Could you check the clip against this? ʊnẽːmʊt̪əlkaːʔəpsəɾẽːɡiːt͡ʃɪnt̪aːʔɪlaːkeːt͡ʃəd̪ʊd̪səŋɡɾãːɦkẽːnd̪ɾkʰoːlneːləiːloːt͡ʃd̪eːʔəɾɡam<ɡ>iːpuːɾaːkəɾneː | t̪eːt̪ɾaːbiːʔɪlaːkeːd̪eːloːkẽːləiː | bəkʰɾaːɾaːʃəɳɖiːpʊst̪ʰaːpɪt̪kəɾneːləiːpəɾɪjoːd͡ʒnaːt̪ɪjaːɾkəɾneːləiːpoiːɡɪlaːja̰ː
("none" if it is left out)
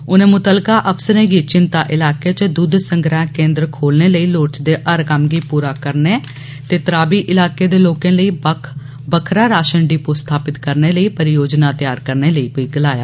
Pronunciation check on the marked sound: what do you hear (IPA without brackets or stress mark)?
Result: ɡ